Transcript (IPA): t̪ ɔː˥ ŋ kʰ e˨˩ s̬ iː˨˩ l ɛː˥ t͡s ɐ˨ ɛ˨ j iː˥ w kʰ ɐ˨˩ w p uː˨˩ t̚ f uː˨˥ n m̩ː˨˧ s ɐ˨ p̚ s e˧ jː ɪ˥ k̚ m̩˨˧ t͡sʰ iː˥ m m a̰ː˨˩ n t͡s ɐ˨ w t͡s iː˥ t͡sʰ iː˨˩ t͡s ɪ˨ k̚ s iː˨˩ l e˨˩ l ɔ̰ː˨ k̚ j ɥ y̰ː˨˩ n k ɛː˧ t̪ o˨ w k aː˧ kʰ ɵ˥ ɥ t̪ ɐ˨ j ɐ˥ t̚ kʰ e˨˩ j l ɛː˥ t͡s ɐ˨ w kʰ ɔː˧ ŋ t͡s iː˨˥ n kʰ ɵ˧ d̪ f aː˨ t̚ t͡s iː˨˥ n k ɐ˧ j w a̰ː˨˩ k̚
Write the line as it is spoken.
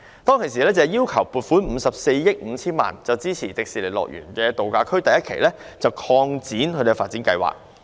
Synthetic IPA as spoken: t̪ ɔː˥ ŋ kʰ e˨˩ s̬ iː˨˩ l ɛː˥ t͡s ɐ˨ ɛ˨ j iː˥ w kʰ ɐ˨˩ w p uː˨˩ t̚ f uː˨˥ n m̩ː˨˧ s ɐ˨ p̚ s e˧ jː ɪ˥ k̚ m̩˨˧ t͡sʰ iː˥ n m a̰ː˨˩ n t͡s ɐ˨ w t͡s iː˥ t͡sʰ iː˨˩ t͡s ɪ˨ k̚ s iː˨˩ l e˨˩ l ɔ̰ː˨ k̚ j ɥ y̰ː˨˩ n k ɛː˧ t̪ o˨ w k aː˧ kʰ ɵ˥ ɥ t̪ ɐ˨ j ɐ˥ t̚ kʰ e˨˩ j l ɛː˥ t͡s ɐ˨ w kʰ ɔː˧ ŋ t͡s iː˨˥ n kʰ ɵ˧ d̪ f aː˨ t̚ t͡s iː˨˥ n k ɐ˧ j w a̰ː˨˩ k̚